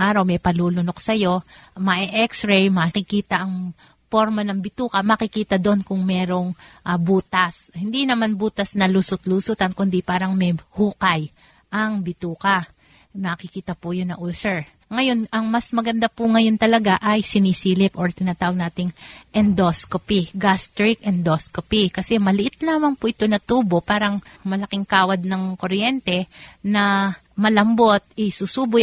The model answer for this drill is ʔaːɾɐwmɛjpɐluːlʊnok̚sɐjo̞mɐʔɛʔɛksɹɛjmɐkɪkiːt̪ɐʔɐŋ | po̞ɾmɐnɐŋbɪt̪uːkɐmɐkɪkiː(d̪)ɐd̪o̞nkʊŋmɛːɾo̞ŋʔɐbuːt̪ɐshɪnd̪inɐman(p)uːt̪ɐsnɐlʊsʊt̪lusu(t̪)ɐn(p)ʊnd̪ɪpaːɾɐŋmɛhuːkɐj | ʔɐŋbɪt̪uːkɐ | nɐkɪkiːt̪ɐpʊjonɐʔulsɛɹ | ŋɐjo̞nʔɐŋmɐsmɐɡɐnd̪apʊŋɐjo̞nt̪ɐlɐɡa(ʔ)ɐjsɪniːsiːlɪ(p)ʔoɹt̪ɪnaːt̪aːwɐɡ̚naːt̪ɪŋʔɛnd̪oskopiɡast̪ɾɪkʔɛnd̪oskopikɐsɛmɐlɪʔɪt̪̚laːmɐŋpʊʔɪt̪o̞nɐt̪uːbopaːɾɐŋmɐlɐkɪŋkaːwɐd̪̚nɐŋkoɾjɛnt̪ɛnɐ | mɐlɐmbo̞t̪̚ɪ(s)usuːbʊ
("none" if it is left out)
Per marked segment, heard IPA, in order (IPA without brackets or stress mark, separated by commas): t̪, b, t̪, k, ʔ, p, s